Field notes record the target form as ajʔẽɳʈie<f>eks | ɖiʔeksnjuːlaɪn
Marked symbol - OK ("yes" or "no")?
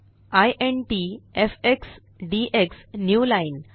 yes